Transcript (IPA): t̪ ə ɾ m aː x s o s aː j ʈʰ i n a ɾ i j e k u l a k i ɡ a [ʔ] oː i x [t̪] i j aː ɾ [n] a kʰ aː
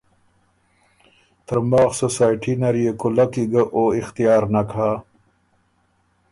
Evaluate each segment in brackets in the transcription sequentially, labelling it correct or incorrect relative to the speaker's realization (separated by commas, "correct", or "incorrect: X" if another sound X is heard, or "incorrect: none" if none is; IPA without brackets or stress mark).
correct, correct, correct